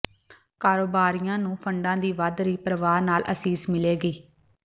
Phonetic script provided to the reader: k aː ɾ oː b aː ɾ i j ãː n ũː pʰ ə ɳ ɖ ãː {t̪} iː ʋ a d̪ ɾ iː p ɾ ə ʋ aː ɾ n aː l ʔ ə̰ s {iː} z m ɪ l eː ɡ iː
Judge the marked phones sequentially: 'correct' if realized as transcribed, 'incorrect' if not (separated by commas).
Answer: incorrect, correct